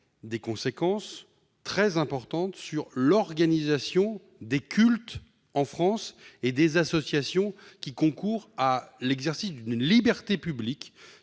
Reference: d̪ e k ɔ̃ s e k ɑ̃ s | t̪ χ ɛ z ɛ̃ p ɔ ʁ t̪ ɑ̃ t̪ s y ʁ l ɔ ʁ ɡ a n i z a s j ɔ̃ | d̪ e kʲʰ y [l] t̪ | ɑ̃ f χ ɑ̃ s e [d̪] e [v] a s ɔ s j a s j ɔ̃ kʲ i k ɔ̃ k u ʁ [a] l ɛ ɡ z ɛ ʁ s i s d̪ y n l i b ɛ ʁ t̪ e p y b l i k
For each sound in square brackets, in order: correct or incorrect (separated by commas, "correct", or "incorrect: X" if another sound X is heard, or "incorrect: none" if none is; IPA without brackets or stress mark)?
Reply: correct, correct, incorrect: z, correct